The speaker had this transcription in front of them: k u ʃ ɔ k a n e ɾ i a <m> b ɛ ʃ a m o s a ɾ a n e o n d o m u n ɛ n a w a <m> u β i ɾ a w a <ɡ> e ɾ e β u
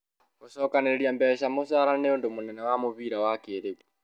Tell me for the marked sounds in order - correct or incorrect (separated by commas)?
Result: correct, correct, incorrect